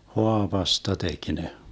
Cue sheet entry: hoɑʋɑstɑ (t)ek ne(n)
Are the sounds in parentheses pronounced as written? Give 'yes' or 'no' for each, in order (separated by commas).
yes, no